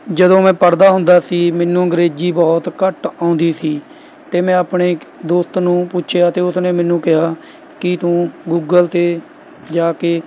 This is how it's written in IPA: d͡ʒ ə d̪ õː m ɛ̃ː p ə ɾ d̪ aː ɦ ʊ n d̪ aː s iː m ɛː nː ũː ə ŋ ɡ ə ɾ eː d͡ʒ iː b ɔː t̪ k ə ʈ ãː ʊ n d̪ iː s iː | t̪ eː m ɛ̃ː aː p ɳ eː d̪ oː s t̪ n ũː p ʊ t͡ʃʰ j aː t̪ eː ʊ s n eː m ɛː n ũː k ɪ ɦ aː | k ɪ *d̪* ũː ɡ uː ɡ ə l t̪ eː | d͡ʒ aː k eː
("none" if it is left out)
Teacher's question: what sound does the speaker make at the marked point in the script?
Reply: t̪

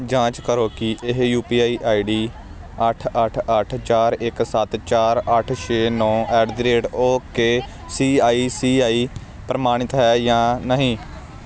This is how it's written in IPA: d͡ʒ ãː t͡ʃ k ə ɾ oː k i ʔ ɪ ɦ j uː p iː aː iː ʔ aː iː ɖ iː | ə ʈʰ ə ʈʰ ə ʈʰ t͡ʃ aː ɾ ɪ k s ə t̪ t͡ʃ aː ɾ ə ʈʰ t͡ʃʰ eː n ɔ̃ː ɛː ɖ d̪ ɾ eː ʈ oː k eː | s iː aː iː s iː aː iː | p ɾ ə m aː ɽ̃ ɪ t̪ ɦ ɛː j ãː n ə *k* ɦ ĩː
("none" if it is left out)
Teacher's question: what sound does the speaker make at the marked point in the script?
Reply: none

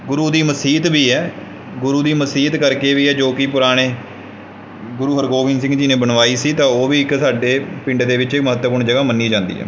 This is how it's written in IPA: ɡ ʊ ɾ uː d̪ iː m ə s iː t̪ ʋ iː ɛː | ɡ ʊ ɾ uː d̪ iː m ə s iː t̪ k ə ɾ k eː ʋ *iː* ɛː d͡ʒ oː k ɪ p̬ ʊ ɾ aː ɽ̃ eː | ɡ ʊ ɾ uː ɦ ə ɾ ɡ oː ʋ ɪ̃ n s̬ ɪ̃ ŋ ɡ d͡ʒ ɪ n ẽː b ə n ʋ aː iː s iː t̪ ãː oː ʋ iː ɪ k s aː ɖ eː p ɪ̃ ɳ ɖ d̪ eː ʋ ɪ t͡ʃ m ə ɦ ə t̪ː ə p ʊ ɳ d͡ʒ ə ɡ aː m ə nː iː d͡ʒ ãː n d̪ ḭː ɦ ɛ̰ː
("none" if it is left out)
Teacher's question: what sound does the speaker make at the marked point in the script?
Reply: iː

